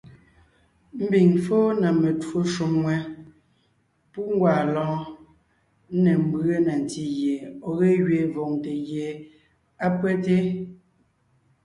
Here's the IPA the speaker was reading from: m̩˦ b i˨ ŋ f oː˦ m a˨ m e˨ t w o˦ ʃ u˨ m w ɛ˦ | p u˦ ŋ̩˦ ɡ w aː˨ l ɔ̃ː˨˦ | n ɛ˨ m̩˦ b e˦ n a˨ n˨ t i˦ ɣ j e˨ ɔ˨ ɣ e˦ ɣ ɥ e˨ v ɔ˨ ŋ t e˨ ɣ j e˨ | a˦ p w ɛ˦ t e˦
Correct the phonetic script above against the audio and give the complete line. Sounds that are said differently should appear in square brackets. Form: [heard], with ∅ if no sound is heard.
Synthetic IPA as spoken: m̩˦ b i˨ ŋ f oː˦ [n] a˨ m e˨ t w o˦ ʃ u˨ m w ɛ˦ | p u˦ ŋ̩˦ ɡ w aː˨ l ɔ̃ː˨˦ | n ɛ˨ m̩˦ b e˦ n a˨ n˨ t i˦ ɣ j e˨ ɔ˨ ɣ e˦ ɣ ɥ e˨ v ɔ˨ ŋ t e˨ ɣ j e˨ | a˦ p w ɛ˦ t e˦